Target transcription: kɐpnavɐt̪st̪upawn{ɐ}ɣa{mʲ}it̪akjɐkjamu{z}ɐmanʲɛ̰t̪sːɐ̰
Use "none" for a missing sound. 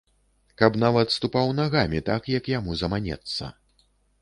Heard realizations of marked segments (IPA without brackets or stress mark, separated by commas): a, mʲ, z